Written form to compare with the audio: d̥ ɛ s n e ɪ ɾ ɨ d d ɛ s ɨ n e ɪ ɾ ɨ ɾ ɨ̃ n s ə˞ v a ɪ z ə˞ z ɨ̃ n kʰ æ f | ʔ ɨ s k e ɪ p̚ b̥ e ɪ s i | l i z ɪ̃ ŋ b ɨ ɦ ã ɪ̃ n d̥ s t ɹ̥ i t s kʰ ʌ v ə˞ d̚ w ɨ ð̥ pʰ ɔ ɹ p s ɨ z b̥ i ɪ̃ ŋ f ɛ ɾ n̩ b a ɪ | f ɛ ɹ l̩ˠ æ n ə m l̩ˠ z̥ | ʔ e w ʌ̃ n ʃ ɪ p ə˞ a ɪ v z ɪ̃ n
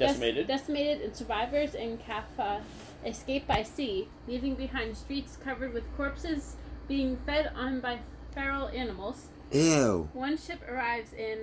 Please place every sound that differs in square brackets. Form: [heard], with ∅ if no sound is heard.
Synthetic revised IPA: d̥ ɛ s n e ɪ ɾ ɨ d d ɛ s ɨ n e ɪ ɾ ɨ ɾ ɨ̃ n s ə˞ v a ɪ [v] ə˞ z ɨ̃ n kʰ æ f | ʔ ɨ s k e ɪ p̚ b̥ [a] ɪ s i | l i [v] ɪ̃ ŋ b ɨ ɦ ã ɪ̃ n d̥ s t ɹ̥ i t s kʰ ʌ v ə˞ d̚ w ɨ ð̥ [kʰ] ɔ ɹ p s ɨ z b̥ i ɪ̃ ŋ f ɛ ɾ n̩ b a ɪ | f ɛ ɹ l̩ˠ æ n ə m l̩ˠ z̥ | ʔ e w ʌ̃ n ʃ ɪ p ə˞ a ɪ v z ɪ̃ n